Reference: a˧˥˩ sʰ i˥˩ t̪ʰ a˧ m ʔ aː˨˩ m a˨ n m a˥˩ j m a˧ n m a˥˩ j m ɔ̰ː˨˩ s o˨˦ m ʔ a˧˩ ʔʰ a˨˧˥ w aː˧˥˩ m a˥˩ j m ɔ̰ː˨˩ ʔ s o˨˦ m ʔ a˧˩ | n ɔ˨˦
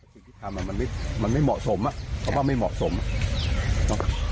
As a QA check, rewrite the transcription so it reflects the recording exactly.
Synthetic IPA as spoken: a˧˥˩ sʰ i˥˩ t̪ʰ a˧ m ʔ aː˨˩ m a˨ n m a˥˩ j m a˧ n m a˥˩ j m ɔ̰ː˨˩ s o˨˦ m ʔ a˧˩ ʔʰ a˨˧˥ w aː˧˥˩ m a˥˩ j m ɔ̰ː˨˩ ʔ s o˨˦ m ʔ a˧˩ | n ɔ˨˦